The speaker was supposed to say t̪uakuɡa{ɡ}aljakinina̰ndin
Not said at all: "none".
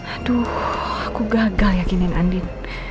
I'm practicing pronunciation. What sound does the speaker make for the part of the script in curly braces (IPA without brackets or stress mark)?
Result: ɡ